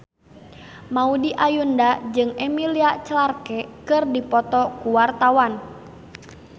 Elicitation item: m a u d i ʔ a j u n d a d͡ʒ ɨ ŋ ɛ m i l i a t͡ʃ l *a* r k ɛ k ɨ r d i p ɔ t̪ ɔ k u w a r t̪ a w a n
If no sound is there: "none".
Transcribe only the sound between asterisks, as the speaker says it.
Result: a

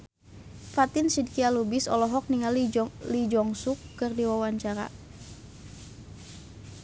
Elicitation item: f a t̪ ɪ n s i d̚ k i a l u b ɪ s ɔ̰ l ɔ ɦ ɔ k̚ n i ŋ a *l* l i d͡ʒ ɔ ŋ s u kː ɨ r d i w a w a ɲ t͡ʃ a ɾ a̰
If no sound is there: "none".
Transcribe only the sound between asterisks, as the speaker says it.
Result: l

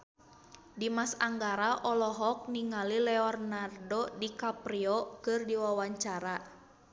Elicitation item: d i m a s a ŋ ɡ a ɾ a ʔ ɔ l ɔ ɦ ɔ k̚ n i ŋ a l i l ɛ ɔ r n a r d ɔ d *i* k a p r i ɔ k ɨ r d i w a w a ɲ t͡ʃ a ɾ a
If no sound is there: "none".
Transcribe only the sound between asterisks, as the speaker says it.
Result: i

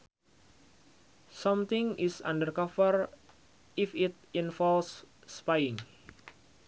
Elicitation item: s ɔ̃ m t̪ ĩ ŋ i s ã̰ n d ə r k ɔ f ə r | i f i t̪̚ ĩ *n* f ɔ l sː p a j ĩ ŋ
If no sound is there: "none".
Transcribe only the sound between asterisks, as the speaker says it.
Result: n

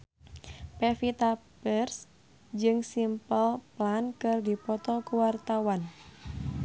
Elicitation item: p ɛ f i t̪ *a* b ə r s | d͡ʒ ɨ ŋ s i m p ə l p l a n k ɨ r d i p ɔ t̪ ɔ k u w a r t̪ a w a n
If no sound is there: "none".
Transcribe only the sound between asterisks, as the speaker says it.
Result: a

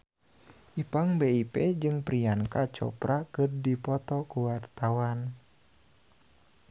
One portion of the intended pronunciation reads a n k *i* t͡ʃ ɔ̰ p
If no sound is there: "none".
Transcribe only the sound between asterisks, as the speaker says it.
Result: a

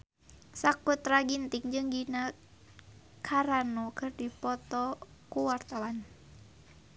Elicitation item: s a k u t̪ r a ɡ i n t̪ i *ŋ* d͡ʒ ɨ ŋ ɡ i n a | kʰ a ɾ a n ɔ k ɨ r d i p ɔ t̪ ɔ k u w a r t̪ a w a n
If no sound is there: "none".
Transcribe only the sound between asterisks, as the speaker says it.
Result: ŋ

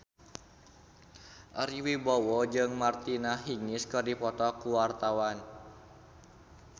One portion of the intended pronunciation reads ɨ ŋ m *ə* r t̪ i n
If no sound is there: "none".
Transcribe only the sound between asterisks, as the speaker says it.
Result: a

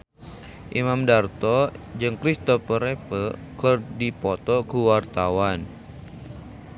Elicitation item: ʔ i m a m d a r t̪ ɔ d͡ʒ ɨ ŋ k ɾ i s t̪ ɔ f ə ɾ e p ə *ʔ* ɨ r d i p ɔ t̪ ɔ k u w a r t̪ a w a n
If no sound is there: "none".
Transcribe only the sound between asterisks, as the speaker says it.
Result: k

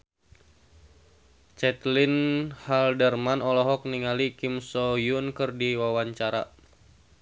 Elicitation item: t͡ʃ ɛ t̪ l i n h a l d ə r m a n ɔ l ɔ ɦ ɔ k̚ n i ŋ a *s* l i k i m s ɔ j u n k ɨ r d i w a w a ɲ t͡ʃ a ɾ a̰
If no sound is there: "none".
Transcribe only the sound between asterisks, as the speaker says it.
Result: none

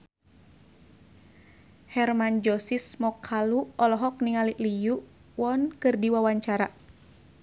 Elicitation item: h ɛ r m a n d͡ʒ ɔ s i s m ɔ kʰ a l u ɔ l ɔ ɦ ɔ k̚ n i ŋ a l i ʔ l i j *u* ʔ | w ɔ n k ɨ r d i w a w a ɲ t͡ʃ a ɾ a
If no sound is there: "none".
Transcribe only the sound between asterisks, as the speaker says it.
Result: u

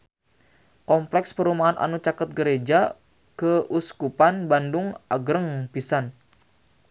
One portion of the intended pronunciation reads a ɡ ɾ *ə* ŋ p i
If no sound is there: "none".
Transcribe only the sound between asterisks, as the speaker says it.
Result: ə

